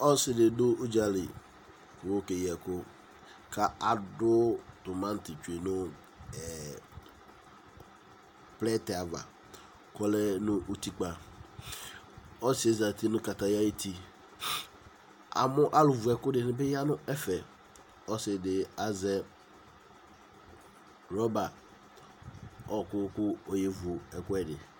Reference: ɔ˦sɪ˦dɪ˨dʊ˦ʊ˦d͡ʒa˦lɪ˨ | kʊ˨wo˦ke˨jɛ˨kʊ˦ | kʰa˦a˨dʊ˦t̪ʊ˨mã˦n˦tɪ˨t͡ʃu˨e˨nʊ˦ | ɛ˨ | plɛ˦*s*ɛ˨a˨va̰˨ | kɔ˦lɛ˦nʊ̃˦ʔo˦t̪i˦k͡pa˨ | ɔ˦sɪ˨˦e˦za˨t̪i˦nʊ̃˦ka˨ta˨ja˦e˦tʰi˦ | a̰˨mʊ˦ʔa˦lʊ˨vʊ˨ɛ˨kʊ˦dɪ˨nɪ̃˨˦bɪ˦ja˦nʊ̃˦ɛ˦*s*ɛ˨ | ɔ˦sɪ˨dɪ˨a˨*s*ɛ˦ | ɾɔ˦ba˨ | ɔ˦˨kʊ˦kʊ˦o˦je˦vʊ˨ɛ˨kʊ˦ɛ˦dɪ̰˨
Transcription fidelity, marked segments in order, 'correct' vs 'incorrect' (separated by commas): incorrect, incorrect, incorrect